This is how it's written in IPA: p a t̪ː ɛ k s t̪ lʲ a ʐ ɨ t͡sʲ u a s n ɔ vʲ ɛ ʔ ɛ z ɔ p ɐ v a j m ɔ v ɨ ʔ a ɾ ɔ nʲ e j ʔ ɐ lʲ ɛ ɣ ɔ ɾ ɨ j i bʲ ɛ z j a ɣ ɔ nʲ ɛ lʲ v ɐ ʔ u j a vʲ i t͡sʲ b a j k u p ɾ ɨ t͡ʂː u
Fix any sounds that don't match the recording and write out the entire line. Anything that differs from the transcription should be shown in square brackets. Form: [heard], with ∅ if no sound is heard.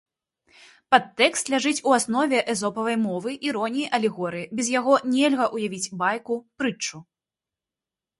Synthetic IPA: p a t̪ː ɛ k s t̪ lʲ a ʐ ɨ t͡sʲ u a s n ɔ vʲ ɛ ʔ ɛ z ɔ p ɐ v [ɐ] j m ɔ v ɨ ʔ [i] ɾ ɔ nʲ [i] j ʔ ɐ lʲ ɛ ɣ ɔ ɾ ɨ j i bʲ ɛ z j a ɣ ɔ nʲ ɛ lʲ [ɣ] ɐ ʔ u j a vʲ i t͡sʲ b a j k u p ɾ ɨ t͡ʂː u

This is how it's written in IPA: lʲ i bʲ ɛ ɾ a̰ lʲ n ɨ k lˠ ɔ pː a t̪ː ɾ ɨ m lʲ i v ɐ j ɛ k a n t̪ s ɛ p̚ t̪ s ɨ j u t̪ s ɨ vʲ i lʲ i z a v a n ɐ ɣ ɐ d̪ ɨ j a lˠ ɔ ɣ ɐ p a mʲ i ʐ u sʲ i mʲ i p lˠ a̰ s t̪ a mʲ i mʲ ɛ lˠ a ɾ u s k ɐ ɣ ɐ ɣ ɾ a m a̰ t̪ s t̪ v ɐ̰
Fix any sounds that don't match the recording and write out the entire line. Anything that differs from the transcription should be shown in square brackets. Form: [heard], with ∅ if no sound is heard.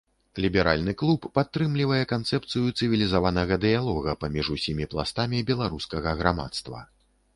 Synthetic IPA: lʲ i bʲ ɛ ɾ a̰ lʲ n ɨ k lˠ [u] pː a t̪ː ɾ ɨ m lʲ i v ɐ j ɛ k a n t̪ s ɛ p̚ t̪ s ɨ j u t̪ s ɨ vʲ i lʲ i z a v a n ɐ ɣ ɐ d̪ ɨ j a lˠ ɔ ɣ ɐ p a mʲ i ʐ u sʲ i mʲ i p lˠ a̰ s t̪ a mʲ i [bʲ] ɛ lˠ a ɾ u s k ɐ ɣ ɐ ɣ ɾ a m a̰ t̪ s t̪ v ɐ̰

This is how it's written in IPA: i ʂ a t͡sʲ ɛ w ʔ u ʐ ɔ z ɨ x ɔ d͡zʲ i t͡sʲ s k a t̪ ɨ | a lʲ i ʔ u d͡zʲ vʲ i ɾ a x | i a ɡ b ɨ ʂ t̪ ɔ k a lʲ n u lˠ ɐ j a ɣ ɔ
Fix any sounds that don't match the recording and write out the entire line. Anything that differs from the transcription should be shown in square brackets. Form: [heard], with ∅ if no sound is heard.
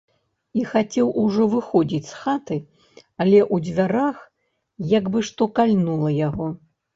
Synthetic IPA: i [x] a t͡sʲ ɛ w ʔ u ʐ ɔ [v] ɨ x ɔ d͡zʲ i t͡sʲ s [x] a t̪ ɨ | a lʲ [ɛ] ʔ u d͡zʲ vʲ [a] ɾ a x | [j] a ɡ b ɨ ʂ t̪ ɔ k a lʲ n u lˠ ɐ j a ɣ ɔ

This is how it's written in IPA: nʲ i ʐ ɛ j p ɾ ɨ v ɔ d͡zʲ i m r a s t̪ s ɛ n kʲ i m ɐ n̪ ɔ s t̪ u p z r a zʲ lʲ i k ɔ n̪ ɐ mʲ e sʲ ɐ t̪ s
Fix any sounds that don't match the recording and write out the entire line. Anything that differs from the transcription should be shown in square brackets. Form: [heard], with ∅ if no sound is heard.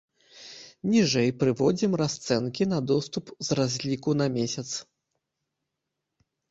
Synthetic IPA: nʲ i ʐ ɛ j p ɾ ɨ v ɔ d͡zʲ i m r a s t̪ s ɛ n kʲ i [n] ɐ [d̪] ɔ s t̪ u p z r a zʲ lʲ i k [u] n̪ ɐ mʲ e sʲ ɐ t̪ s

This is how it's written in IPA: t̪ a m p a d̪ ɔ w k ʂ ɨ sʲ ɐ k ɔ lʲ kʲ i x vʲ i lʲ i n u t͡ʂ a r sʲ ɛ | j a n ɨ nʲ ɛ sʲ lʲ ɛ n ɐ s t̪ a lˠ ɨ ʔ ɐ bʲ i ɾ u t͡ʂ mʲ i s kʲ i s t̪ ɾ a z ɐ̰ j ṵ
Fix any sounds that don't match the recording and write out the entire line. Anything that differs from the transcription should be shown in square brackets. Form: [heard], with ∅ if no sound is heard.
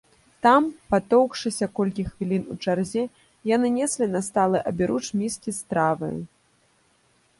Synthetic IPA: t̪ a m p a [t̪] ɔ w k ʂ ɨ sʲ ɐ k ɔ lʲ kʲ i x vʲ i lʲ i n u t͡ʂ a r [zʲ] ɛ | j a n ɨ nʲ ɛ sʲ lʲ [i] n ɐ s t̪ a lˠ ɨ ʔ ɐ bʲ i ɾ u t͡ʂ mʲ i s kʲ i s t̪ ɾ a [v] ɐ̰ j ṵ

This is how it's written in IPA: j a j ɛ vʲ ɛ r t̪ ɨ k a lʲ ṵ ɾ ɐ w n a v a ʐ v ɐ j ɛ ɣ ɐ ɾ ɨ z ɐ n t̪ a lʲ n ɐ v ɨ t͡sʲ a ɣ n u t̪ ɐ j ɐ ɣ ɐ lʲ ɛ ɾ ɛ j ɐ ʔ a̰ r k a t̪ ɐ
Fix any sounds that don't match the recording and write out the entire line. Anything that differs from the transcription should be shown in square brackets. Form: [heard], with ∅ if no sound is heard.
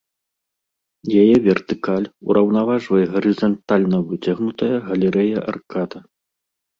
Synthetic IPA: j a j ɛ vʲ ɛ r t̪ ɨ k a lʲ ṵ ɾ ɐ w n a v a ʐ v ɐ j ɛ ɣ ɐ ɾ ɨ z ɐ n t̪ a lʲ n ɐ v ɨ t͡sʲ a ɣ n u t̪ ɐ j ɐ ɣ ɐ lʲ ɛ ɾ ɛ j ɐ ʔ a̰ r k a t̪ ɐ

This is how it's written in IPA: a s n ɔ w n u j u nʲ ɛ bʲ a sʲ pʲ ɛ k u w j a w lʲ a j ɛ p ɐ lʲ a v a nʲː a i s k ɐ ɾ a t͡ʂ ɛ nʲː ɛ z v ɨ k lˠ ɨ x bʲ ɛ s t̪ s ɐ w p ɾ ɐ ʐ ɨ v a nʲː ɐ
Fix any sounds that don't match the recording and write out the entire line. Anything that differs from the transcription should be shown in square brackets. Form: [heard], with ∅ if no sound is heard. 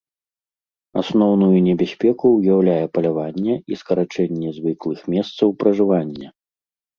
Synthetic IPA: a s n ɔ w n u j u nʲ ɛ bʲ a sʲ pʲ ɛ k u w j a w lʲ a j ɛ p ɐ lʲ a v a nʲː [ɛ] i s k ɐ ɾ a t͡ʂ ɛ nʲː ɛ z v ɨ k lˠ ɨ x [mʲ] ɛ s t̪ s ɐ w p ɾ ɐ ʐ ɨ v a nʲː ɐ

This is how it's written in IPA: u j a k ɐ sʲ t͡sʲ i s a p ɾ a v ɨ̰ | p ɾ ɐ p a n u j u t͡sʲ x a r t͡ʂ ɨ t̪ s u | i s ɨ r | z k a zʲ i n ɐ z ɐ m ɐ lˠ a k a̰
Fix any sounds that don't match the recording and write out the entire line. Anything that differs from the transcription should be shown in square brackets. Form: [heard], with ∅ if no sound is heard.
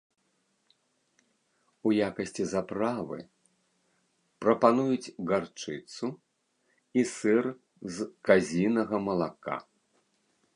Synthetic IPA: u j a k ɐ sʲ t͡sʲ i [z] a p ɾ a v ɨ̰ | p ɾ ɐ p a n u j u t͡sʲ [ɣ] a r t͡ʂ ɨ t̪ s u | i s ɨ r | z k a zʲ i n ɐ [ɣ] ɐ m ɐ lˠ a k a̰

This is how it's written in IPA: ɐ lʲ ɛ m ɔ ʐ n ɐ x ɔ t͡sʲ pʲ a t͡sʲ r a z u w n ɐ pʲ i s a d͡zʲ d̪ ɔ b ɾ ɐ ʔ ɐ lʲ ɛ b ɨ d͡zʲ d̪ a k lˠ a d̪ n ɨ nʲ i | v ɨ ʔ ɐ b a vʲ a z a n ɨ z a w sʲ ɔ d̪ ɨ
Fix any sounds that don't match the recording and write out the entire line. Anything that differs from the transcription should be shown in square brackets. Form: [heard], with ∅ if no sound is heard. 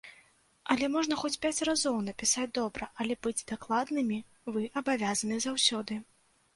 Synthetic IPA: ɐ lʲ ɛ m ɔ ʐ n ɐ x ɔ t͡sʲ pʲ a t͡sʲ r a z [ɔ] w n ɐ pʲ i s a d͡zʲ d̪ ɔ b ɾ ɐ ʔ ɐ lʲ ɛ b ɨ d͡zʲ d̪ a k lˠ a d̪ n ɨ [mʲ] i | v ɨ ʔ ɐ b a vʲ a z [ɐ] n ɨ z a w sʲ ɔ d̪ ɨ

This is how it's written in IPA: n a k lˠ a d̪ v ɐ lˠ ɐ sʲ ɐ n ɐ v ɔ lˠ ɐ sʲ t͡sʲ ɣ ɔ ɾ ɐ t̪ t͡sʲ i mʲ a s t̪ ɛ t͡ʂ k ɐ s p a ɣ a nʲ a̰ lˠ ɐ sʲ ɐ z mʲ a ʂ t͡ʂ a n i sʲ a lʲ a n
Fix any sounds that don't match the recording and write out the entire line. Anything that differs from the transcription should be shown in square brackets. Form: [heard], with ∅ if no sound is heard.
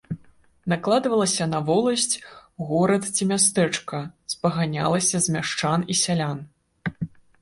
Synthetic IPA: n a k lˠ a d̪ v ɐ lˠ ɐ sʲ ɐ n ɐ v ɔ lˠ ɐ sʲ t͡sʲ ɣ ɔ ɾ ɐ t̪ t͡sʲ i mʲ a s t̪ ɛ t͡ʂ k ɐ s p [ɐ] ɣ a nʲ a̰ lˠ ɐ sʲ ɐ z mʲ a ʂ t͡ʂ a n i sʲ a lʲ a n

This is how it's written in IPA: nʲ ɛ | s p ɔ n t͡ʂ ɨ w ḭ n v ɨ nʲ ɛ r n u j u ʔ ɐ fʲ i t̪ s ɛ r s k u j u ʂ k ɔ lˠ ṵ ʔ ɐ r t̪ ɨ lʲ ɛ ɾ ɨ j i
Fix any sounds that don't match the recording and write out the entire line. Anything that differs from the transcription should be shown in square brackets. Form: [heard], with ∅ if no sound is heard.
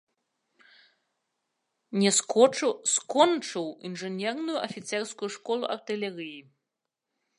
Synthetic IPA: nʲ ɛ | s [k] ɔ n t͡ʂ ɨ w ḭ n [ʐ] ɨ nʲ ɛ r n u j u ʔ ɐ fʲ i t̪ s ɛ r s k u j u ʂ k ɔ lˠ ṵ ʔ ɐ r t̪ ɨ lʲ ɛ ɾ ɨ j i

